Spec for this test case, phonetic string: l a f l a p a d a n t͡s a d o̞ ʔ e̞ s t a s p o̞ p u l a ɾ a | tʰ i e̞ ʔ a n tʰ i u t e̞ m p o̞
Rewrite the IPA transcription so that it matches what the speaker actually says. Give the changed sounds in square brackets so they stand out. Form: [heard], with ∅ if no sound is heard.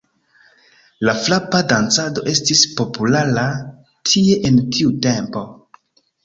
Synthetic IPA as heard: l a f l a p a d a n t͡s a d o̞ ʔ e̞ s t [i] s p o̞ p u l a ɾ a | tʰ i e̞ ʔ [e] n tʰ i u t e̞ m p o̞